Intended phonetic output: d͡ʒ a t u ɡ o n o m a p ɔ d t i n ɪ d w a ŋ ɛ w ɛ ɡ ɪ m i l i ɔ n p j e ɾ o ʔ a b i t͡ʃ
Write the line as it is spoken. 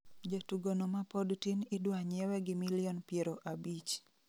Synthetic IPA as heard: d͡ʒ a t u ɡ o n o m a p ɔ d t i n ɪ d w a ɲ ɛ w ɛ ɡ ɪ m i l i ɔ n p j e ɾ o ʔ a b i t͡ʃ